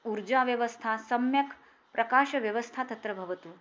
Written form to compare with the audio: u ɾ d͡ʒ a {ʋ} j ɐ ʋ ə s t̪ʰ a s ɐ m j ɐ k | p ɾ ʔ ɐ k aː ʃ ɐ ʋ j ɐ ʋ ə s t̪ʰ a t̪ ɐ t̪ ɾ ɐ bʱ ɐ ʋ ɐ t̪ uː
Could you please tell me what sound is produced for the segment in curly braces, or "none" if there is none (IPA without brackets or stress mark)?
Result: ʋ